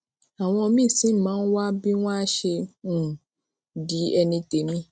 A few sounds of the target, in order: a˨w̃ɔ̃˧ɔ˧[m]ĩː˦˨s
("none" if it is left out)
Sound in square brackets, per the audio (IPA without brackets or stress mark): m